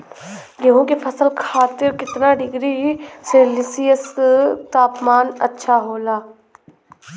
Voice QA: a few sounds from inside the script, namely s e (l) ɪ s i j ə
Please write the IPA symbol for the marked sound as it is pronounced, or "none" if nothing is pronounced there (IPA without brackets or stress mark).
l